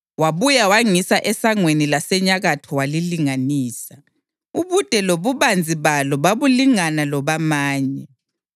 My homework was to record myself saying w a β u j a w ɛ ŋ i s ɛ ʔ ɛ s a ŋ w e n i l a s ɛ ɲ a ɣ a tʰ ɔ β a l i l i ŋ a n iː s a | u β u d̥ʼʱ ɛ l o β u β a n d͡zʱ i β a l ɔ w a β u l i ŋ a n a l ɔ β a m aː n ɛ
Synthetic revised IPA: w a β u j a w a ŋ i s a ʔ ɛ s a ŋ w e n i l a s ɛ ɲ a ɣ a tʰ ɔ w a l i l i ŋ a n iː s a | u β u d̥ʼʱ ɛ l o β u β a n d͡zʱ i β a l ɔ β a β u l i ŋ a n a l ɔ β a m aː ɲ ɛ

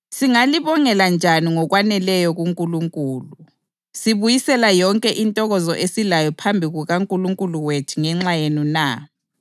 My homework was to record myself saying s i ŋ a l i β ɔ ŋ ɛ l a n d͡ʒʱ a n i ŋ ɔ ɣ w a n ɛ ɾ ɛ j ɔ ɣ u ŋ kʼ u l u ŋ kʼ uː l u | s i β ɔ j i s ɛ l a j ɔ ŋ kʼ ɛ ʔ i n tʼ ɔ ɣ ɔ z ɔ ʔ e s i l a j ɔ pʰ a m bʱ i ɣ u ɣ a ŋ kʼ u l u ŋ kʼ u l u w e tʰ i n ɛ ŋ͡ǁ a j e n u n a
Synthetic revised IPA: s i ŋ a l i β ɔ ŋ ɛ l a n d͡ʒʱ a n i ŋ ɔ ɣ w a n ɛ l ɛ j ɔ ɣ u ŋ kʼ u l u ŋ kʼ uː l u | s i β u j i s ɛ l a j ɔ ŋ kʼ ɛ ʔ i n tʼ ɔ ɣ ɔ z ɔ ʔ e s i l a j ɔ pʰ a m bʱ i ɣ u ɣ a ŋ kʼ u l u ŋ kʼ u l u w e tʰ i ŋ ɛ ŋ͡ǁ a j e n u n a

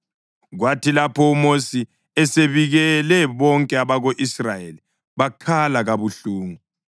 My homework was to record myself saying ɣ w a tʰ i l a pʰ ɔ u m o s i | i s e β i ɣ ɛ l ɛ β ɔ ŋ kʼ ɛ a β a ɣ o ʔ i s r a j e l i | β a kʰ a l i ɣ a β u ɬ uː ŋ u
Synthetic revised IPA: ɣ w a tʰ i l a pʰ ɔ u m o s i | ɛ s e β i ɣ ɛ l ɛ β ɔ ŋ kʼ ɛ a β a ɣ o ʔ i s r a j e l i | β a kʰ a l a ɣ a β u ɬ uː ŋ u

